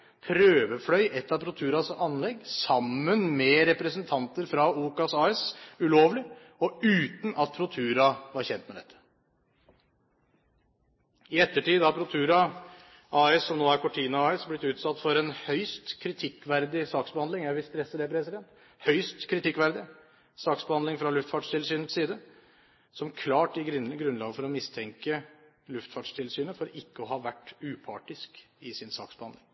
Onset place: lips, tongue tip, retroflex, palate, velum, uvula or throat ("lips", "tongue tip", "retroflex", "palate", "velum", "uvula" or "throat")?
lips